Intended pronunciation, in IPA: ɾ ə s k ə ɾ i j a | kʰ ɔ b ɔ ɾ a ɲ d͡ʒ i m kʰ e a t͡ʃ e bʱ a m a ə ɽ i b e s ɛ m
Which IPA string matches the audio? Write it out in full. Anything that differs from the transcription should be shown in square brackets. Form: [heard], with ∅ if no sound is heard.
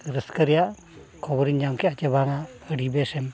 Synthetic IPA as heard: ɾ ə s k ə ɾ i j a | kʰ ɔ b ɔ ɾ [i] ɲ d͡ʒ [a] m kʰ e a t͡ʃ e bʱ a [ŋ] a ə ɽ i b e s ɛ m